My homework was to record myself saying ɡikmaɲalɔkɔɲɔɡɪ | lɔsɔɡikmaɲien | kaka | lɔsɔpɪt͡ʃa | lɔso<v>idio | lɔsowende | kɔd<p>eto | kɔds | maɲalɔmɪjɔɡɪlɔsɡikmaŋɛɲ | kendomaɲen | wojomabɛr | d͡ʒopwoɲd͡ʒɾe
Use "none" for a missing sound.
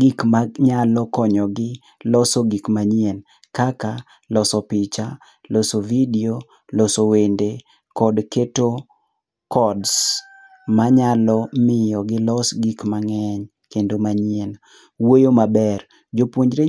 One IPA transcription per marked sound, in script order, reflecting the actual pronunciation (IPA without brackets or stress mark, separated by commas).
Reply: v, k